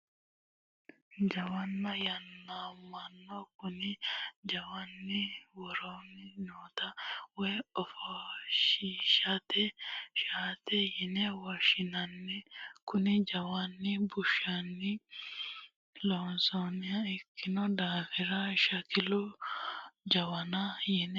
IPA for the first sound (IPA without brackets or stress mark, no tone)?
d͡ʒ